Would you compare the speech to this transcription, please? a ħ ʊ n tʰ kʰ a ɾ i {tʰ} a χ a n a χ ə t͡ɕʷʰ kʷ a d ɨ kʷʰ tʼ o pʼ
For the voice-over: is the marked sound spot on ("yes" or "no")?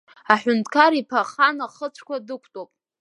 no